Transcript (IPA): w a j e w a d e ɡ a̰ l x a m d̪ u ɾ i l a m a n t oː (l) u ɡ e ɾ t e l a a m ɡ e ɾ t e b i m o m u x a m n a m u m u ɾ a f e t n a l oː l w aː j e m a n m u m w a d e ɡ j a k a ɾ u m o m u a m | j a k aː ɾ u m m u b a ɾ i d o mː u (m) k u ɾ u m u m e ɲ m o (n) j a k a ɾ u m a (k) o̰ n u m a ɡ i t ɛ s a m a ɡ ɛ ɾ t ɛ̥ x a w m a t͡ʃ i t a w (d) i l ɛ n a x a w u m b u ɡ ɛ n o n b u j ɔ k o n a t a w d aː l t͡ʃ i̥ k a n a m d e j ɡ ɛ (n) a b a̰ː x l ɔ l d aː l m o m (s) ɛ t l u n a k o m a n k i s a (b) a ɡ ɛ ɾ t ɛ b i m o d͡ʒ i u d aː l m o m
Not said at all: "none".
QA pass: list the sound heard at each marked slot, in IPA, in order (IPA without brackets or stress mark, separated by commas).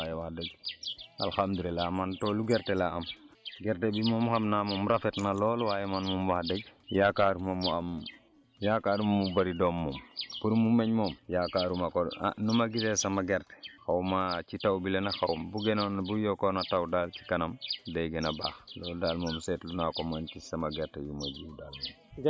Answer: l, m, m, k, b, n, s, m